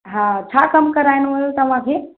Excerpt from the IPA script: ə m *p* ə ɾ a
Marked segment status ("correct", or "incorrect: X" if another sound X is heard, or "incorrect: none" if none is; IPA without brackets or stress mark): incorrect: k